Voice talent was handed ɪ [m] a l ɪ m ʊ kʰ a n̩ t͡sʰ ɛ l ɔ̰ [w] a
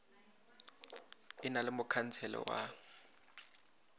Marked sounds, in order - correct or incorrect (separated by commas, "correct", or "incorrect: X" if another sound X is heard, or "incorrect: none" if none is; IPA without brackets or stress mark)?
incorrect: n, correct